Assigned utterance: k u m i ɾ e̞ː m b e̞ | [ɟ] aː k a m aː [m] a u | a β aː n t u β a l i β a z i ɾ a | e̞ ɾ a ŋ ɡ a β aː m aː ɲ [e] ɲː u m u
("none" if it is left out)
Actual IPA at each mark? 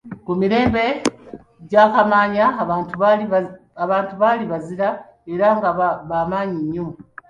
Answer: ɟ, ɲ, i

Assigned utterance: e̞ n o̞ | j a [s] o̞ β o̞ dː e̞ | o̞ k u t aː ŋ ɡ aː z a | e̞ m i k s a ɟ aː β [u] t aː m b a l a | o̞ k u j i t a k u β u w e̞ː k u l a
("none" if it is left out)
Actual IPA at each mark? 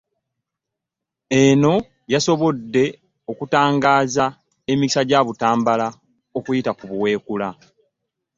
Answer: s, u

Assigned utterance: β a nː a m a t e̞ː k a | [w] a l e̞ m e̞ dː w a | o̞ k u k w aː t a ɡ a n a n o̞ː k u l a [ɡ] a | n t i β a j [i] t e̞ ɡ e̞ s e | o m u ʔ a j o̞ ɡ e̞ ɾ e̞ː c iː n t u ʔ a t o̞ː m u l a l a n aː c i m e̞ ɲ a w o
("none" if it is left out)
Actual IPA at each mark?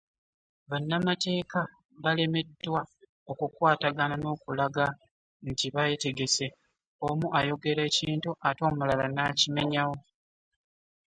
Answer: β, ɡ, e

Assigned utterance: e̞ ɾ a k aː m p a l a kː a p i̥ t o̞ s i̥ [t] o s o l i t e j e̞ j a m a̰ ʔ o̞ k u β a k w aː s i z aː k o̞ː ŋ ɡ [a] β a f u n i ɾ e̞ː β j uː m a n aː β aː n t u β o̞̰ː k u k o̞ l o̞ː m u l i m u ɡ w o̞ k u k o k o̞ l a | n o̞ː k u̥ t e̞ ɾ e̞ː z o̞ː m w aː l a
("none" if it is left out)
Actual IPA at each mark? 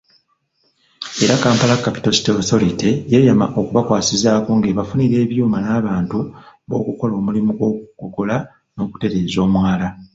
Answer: t, e

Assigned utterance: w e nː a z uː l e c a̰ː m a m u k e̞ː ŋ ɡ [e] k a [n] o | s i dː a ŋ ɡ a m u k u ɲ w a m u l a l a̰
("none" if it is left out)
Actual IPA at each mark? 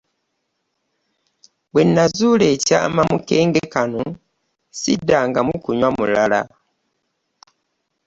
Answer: e, n

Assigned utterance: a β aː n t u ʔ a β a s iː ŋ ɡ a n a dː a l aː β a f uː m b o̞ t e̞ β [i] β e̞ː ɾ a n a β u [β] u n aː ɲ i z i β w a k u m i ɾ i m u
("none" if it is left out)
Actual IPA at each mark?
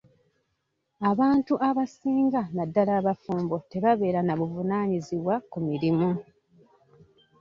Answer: a, v

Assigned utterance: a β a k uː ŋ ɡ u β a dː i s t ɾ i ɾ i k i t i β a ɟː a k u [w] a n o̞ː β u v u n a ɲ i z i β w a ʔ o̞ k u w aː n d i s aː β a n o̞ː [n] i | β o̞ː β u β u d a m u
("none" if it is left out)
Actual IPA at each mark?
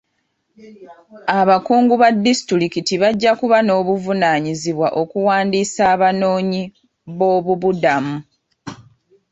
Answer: β, ɲ

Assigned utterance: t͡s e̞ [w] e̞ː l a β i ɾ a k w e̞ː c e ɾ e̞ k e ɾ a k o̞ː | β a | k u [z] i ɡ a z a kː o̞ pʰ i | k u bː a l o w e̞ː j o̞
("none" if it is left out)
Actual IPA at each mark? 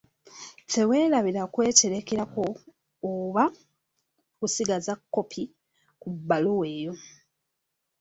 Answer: w, s

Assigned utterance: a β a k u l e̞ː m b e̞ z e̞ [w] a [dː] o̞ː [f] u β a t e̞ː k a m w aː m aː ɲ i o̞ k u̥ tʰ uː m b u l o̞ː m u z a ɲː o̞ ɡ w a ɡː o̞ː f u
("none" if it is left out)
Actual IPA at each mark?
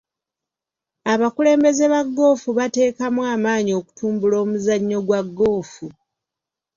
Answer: β, ɡː, f

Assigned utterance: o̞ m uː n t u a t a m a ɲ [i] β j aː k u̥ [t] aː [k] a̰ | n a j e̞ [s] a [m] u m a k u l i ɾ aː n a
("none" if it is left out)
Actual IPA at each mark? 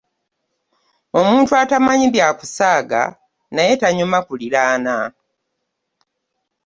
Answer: i, s, ɡ, t, ɲ

